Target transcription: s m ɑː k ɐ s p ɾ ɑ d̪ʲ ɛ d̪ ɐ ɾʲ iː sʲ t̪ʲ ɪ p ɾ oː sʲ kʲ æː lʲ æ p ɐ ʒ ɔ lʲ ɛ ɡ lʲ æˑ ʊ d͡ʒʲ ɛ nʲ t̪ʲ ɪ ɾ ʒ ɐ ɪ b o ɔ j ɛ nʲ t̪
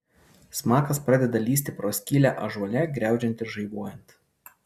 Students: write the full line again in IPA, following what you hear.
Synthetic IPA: s m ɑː k ɐ s p ɾ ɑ d̪ʲ ɛ d̪ ɐ lʲ iː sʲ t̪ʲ ɪ p ɾ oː sʲ kʲ iː lʲ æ ʔ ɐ ʒ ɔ lʲ ɛ ɡ ɾʲ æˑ ʊ d͡ʒʲ ɛ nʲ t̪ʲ ɪ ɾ ʒ ɐ ɪ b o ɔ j ɛ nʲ t̪